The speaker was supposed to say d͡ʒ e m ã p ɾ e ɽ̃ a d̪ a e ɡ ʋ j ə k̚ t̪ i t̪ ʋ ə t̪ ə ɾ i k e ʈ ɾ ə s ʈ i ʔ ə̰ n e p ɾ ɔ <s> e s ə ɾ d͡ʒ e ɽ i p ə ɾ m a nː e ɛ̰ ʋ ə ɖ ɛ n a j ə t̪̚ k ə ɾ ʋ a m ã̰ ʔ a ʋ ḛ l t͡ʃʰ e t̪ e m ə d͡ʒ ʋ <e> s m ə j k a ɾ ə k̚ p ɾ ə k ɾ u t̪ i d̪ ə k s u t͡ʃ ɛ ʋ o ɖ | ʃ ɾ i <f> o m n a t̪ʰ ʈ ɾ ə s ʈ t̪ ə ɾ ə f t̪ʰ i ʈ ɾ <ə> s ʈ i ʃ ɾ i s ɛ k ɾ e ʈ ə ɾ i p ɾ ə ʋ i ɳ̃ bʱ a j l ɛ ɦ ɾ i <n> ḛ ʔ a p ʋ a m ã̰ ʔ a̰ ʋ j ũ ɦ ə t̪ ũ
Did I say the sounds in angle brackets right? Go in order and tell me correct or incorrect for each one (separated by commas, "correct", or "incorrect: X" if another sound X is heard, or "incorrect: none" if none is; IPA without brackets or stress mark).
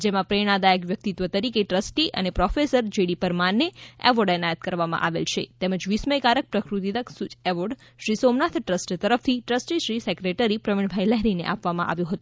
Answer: incorrect: f, incorrect: i, incorrect: s, correct, correct